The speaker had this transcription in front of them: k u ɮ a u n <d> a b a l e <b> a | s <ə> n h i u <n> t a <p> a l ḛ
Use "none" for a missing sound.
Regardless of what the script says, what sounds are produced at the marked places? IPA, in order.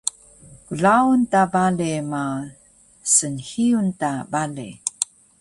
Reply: t, m, ə, n, b

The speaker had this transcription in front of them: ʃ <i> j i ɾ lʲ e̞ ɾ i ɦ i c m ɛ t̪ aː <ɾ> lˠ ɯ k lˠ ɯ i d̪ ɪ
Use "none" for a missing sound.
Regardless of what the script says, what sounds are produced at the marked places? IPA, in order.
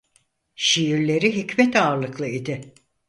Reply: i, ɾ

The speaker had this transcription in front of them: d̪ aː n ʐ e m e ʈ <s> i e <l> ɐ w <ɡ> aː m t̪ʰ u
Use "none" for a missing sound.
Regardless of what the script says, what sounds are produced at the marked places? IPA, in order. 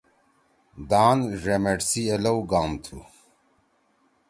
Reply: s, l, ɡ

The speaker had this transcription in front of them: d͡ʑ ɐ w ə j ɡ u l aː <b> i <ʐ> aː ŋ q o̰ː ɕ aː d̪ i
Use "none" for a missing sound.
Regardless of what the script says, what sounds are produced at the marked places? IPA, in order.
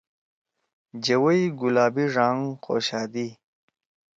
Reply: b, ʐ

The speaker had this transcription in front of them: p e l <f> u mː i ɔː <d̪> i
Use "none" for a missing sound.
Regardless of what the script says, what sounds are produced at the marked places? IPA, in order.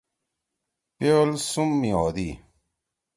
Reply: s, d̪

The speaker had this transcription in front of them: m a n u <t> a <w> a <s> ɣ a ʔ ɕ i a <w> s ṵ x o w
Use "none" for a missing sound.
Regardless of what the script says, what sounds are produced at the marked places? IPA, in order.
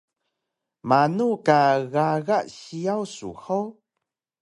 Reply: k, ɣ, none, w

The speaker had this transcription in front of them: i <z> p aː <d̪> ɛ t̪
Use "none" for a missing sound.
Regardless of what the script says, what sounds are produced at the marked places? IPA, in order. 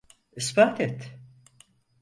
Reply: s, t̪

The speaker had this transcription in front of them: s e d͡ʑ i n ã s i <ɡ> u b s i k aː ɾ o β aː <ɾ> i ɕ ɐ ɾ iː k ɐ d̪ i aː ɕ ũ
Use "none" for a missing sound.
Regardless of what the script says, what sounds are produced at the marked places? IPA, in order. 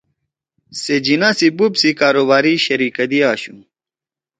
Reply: b, ɾ

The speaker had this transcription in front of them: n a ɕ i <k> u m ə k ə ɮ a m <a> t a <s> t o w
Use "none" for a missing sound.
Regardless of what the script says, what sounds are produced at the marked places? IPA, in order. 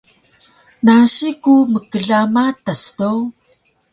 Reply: k, a, s

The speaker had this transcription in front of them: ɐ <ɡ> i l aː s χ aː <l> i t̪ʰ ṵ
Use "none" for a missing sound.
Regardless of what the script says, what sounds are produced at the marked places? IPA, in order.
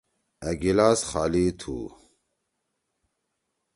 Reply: ɡ, l

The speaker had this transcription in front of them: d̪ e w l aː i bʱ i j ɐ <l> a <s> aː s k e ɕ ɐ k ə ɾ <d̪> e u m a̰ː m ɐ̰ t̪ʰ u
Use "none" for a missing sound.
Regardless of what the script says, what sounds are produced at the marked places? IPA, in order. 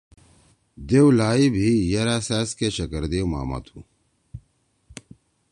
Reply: ɾ, s, d̪

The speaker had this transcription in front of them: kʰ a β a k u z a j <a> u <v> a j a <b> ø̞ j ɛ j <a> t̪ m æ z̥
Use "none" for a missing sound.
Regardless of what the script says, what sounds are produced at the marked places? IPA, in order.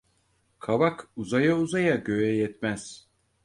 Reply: a, z, ɟ, ɛ

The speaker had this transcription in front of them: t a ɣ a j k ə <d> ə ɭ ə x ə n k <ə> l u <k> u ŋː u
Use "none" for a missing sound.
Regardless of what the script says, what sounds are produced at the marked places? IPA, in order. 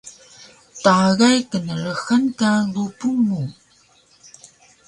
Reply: n, a, p

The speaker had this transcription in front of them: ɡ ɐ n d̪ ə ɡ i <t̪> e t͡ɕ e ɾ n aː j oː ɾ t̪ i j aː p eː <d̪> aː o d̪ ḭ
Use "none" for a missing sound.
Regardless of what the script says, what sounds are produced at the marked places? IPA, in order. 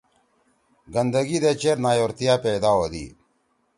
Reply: d̪, d̪

